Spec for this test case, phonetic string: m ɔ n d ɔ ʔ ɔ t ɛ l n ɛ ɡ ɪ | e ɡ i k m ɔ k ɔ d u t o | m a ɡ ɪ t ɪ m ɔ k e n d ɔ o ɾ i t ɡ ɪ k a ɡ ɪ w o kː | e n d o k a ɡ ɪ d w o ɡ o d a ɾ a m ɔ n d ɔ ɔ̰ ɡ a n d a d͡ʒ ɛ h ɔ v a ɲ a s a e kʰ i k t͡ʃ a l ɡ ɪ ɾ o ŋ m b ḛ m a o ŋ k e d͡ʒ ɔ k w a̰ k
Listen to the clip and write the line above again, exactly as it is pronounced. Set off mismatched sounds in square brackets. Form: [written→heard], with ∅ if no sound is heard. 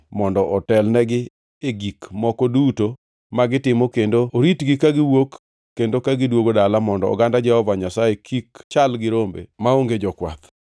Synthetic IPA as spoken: m ɔ n d ɔ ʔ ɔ t ɛ l n ɛ ɡ ɪ | e ɡ i k m ɔ k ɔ d u t o | m a ɡ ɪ t ɪ m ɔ k e n d [ɔ→o] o ɾ i t ɡ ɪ k a ɡ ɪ w o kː | e n d o k a ɡ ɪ d w o ɡ o d a [ɾ→l] a m ɔ n d ɔ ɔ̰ ɡ a n d a d͡ʒ ɛ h ɔ v a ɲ a s a e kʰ i k t͡ʃ a l ɡ ɪ ɾ o [ŋ→∅] m b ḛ m a o ŋ [k→ɡ] e d͡ʒ ɔ k w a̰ k